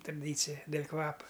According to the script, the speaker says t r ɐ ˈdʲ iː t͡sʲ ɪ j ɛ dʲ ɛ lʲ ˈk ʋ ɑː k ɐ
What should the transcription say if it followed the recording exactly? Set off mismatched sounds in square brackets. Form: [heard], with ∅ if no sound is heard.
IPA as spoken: t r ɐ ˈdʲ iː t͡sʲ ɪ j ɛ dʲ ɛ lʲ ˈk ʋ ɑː [p] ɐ